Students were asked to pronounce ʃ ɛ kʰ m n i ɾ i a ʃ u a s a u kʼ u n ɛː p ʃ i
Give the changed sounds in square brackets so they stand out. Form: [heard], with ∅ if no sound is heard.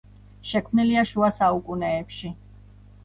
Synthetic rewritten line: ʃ ɛ kʰ m n i [l] i a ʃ u a s a u kʼ u n ɛː p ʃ i